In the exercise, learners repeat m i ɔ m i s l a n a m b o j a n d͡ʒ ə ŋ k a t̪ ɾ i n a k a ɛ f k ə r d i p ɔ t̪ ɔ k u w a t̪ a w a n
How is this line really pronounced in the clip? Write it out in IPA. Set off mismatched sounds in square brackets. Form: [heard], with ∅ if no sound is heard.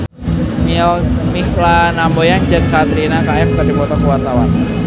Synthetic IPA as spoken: m i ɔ m i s l a n a m b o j a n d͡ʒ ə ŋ k a t̪ ɾ i n a k a ɛ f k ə r d i p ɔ t̪ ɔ k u w a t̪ a w a n